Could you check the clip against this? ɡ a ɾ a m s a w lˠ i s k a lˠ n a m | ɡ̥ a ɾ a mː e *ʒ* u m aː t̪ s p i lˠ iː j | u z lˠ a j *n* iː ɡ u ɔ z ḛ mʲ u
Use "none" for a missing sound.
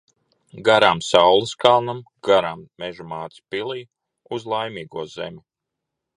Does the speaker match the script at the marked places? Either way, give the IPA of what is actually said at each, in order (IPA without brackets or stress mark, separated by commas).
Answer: ʒ, m